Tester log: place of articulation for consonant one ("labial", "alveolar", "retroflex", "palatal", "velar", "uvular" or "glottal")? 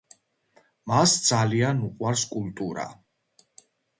labial